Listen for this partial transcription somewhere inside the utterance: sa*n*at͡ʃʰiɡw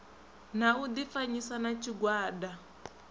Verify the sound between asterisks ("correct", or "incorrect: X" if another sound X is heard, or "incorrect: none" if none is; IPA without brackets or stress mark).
correct